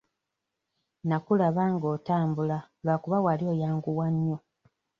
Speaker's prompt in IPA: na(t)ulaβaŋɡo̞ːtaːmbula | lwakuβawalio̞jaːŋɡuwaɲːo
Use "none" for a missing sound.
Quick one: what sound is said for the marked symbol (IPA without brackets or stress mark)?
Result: k